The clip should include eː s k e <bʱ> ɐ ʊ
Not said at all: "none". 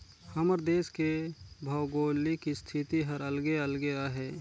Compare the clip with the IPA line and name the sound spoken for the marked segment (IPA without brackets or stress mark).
bʱ